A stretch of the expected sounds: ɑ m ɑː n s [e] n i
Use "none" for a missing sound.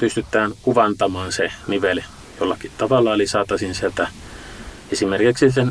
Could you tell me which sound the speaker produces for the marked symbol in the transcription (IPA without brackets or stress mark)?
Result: e